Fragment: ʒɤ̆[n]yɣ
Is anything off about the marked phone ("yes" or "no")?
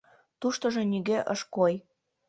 no